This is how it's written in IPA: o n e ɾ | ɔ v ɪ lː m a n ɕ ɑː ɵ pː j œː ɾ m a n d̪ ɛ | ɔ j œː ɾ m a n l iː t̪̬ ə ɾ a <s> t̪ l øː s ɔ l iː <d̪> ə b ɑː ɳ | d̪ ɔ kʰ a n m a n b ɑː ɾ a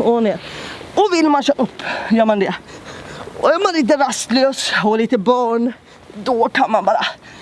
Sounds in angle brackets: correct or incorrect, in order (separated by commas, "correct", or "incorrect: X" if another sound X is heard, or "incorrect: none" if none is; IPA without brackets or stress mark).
correct, incorrect: t̪